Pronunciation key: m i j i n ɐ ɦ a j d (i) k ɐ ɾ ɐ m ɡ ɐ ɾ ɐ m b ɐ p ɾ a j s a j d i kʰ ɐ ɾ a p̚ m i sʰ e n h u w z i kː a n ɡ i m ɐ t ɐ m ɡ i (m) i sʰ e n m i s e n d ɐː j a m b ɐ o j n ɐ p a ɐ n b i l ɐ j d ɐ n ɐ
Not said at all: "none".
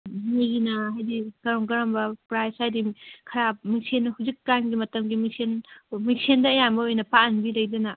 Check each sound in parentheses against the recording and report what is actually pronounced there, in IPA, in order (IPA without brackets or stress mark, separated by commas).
i, m